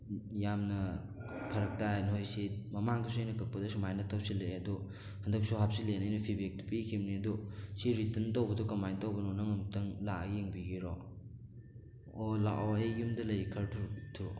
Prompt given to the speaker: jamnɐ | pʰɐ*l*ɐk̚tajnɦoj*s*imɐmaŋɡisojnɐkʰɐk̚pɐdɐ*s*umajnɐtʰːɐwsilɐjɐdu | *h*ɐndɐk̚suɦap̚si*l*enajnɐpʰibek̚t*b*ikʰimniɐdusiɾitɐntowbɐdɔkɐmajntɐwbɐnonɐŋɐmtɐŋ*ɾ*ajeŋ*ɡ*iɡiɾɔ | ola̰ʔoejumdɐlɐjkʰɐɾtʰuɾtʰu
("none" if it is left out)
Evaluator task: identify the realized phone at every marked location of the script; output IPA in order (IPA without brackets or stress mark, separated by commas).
ɾ, s, s, h, l, p, l, b